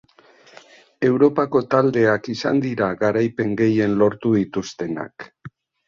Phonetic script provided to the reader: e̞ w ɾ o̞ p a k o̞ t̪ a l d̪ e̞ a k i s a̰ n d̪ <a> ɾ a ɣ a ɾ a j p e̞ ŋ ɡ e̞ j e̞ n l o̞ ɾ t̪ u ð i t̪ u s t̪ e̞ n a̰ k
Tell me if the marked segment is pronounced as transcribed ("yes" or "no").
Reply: no